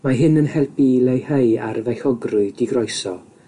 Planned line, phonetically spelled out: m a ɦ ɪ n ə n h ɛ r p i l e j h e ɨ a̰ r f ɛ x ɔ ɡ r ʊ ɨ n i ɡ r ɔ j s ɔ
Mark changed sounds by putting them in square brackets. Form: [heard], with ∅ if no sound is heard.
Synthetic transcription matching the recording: m a ɦ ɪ n ə n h ɛ [l] p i l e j h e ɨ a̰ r [v] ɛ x ɔ ɡ r ʊ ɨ [d] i ɡ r ɔ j s ɔ